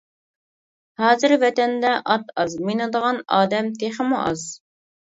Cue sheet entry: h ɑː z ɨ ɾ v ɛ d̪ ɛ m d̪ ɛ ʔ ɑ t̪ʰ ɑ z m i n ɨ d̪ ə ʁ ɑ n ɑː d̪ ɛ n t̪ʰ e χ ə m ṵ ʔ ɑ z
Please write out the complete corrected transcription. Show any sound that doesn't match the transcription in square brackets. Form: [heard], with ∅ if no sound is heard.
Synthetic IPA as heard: h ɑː z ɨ ɾ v ɛ [t̪] ɛ [n] d̪ ɛ ʔ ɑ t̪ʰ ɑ z m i n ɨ d̪ ə ʁ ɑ n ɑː d̪ ɛ [m] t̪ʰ e χ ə m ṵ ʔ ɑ z